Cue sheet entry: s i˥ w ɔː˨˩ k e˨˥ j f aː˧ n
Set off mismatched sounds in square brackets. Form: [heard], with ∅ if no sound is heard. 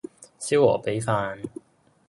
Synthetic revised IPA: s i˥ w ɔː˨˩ [p] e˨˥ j f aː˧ n